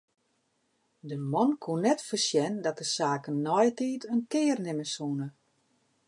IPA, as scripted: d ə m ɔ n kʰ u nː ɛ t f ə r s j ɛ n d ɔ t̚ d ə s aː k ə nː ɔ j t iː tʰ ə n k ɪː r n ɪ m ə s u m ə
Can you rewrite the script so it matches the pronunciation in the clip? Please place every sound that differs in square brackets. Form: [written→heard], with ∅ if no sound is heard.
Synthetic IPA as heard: d ə m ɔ n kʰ u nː ɛ t f ə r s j ɛ n d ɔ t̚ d ə s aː k ə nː ɔ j t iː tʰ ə n k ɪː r n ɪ m ə s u [m→n] ə